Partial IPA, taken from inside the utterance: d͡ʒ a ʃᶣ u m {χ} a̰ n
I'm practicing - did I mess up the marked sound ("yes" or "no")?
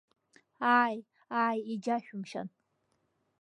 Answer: yes